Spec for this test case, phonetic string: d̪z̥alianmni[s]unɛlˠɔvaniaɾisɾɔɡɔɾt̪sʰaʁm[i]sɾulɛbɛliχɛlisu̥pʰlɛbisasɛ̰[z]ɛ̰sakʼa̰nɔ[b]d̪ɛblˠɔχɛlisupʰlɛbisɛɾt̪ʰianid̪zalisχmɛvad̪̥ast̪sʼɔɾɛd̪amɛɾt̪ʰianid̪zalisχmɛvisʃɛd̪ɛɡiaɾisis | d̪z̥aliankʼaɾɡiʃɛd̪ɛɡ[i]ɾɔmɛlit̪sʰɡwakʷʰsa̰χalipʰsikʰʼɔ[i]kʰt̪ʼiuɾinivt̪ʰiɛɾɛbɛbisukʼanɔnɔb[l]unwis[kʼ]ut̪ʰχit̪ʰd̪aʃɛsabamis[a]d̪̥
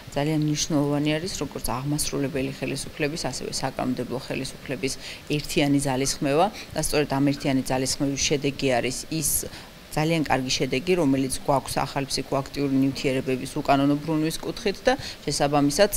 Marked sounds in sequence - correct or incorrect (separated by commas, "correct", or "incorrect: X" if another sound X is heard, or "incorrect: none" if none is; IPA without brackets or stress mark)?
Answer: incorrect: ʃ, incorrect: a, incorrect: v, incorrect: m, correct, incorrect: a, incorrect: ɾ, correct, correct